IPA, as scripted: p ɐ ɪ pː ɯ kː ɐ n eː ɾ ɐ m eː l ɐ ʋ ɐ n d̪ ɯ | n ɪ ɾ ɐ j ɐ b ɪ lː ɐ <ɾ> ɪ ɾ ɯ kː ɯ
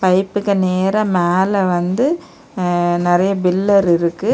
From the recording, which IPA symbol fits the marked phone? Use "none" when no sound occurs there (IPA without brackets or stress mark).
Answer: ɾ